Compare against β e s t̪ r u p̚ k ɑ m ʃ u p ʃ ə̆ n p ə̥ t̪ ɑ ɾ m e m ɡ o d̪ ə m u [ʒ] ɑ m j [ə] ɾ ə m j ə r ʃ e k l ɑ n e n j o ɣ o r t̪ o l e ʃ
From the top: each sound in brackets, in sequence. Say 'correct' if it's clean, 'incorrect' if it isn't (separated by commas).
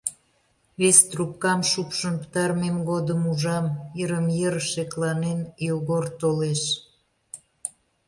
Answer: correct, correct